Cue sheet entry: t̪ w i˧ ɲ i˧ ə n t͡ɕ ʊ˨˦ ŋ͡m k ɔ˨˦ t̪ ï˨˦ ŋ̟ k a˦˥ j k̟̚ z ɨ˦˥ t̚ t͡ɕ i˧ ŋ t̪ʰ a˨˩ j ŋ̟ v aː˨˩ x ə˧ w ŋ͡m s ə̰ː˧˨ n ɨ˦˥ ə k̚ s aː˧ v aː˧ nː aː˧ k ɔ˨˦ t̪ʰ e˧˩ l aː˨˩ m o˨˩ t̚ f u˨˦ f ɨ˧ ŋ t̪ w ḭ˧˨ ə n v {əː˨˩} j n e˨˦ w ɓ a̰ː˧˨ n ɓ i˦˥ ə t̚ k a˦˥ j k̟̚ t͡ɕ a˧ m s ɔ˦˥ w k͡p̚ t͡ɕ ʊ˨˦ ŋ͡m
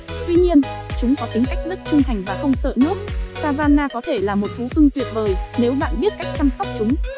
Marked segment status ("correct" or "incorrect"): correct